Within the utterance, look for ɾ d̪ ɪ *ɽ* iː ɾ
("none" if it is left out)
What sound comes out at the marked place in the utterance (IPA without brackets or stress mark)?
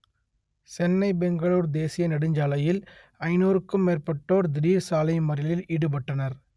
ɾ